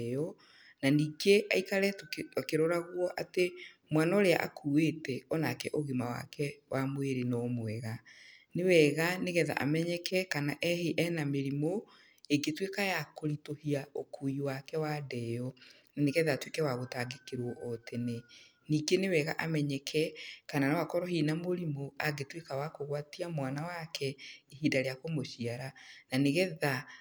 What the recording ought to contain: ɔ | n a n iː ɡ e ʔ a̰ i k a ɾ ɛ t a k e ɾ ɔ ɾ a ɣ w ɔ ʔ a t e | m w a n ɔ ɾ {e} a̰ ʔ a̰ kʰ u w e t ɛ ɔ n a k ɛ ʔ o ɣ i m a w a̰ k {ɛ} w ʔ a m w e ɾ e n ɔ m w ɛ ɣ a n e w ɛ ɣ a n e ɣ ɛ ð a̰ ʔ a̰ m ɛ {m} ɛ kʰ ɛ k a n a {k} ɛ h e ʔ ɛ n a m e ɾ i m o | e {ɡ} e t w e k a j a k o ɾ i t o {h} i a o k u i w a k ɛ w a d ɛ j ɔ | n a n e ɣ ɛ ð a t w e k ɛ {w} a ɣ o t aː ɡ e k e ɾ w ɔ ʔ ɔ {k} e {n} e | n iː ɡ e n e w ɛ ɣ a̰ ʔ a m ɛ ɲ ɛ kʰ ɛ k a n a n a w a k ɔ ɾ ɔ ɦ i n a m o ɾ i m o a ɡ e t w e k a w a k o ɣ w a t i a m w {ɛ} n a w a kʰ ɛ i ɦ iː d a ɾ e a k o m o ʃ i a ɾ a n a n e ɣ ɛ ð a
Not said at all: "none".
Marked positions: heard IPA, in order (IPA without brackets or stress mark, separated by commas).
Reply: e, ɛ, ɲ, ʔ, ɡ, h, w, t, n, a